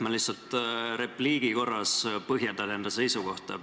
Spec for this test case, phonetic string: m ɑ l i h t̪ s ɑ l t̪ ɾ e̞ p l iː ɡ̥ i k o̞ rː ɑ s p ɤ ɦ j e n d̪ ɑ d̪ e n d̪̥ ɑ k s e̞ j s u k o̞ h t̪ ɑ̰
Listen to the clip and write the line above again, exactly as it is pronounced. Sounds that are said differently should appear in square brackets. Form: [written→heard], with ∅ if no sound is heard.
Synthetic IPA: m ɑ l i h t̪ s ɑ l t̪ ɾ e̞ p l iː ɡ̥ i k o̞ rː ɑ s p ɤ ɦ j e n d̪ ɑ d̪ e n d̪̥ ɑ [k→∅] s e̞ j s u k o̞ h t̪ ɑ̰